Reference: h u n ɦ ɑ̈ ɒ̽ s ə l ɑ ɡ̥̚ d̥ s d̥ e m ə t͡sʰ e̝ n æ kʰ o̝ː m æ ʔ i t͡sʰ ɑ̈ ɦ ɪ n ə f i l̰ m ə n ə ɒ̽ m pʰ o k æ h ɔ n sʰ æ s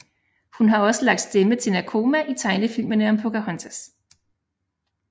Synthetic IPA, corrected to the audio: h u n ɦ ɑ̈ ɒ̽ s ə l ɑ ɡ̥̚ d̥ s d̥ e m ə t͡sʰ e̝ n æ kʰ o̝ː m æ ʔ i t͡sʰ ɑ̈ ɪ n ə f i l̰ m ə n ə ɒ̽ m pʰ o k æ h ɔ n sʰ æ s